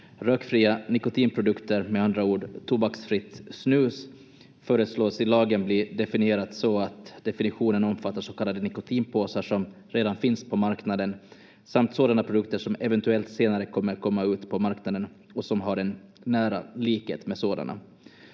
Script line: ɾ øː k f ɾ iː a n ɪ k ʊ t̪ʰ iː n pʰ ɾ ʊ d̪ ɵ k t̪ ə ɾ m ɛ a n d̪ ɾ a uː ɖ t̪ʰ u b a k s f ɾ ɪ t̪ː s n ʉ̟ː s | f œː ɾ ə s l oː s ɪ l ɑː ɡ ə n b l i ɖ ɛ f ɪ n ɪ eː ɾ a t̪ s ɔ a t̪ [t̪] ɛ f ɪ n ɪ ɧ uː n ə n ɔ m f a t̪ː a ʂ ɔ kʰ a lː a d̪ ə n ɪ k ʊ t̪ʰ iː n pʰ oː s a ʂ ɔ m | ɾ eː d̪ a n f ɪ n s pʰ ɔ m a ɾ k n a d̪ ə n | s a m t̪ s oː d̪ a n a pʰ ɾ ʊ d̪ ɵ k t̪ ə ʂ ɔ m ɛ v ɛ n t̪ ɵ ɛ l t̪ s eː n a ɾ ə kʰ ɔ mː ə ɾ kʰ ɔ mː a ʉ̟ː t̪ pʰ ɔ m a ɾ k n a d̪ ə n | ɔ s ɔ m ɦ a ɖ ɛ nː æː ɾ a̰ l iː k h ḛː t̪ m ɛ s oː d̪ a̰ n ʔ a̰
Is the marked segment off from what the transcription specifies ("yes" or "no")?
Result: yes